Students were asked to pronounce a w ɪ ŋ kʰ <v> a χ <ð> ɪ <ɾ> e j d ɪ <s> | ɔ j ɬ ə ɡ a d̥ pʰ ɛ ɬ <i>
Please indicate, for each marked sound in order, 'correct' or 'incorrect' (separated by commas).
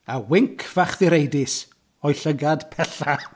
correct, correct, correct, correct, incorrect